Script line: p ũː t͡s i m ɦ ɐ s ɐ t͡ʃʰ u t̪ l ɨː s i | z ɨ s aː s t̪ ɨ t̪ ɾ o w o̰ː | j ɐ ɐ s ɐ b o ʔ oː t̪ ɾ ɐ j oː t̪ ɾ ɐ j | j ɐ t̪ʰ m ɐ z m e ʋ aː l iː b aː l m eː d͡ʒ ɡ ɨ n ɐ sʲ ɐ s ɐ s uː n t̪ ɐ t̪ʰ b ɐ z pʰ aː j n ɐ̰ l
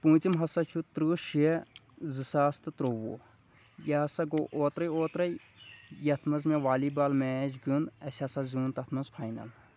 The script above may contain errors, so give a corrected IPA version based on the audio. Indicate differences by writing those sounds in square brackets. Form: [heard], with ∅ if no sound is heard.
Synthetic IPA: p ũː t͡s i m ɦ ɐ s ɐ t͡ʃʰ u t̪ [ɾ] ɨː [ʃ] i | z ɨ s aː s t̪ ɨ t̪ ɾ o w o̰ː | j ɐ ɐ s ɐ [ɡ] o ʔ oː t̪ ɾ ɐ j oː t̪ ɾ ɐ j | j ɐ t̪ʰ m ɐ z m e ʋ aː l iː b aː l m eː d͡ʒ ɡ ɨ n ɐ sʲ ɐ s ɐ [z] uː n t̪ ɐ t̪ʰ [m] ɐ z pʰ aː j n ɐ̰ l